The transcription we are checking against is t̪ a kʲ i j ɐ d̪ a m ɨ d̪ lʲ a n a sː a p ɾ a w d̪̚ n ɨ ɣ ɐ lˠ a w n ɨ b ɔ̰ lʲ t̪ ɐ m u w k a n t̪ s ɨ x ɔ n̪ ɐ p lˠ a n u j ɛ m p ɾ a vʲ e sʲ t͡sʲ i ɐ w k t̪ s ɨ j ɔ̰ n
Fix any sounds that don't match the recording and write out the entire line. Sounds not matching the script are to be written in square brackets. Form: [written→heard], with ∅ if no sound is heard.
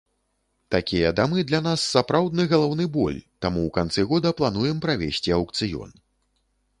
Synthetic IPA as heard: t̪ a kʲ i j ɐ d̪ a m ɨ d̪ lʲ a n a sː a p ɾ a w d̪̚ n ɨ ɣ ɐ lˠ a w n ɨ b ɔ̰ lʲ t̪ [ɐ→a] m u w k a n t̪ s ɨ [x→ɣ] ɔ [n̪→d̪] ɐ p lˠ a n u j ɛ m p ɾ a vʲ e sʲ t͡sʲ i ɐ w k t̪ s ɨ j ɔ̰ n